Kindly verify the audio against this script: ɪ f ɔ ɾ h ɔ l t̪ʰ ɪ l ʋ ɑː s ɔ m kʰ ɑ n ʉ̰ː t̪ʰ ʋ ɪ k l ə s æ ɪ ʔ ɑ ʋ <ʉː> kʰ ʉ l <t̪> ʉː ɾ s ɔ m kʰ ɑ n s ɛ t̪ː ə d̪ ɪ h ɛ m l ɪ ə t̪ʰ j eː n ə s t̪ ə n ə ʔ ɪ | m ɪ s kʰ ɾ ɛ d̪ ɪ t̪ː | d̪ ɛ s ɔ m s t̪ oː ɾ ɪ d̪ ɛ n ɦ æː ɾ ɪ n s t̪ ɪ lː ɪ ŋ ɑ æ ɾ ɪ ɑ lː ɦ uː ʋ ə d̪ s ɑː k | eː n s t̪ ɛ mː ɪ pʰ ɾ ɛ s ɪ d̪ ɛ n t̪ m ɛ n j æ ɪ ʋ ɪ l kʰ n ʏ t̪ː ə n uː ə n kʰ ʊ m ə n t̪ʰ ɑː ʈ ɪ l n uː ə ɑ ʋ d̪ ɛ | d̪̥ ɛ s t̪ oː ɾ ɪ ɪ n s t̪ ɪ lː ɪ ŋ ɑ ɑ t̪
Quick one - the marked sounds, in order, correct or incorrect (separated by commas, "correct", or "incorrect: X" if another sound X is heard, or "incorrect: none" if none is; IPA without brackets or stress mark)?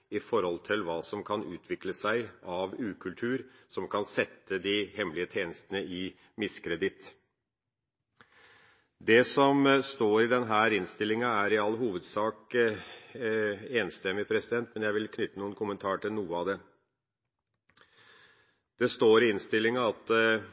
correct, incorrect: t̪ʰ